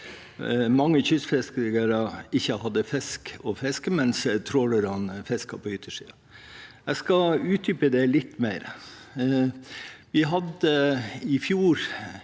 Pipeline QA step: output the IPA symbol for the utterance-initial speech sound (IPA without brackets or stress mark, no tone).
m